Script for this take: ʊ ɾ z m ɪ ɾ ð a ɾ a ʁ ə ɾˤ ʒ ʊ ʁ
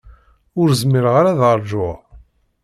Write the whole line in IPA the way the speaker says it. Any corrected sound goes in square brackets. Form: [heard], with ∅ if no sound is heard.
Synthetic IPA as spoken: ʊ ɾ z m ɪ ɾ [ʁ] a ɾ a [ð] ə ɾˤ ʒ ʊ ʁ